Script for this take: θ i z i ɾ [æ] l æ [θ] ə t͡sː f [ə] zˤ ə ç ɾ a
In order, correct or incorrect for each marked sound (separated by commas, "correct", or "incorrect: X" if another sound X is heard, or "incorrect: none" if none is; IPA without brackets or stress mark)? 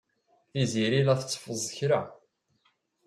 incorrect: i, correct, correct